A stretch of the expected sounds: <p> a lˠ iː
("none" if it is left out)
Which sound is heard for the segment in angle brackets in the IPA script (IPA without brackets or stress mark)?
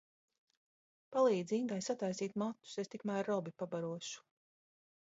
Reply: p